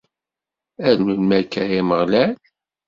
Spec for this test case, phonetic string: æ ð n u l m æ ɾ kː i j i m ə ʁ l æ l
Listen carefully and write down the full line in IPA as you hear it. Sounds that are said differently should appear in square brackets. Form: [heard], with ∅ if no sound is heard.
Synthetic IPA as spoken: æ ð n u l m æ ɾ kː [æ] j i m ə ʁ l æ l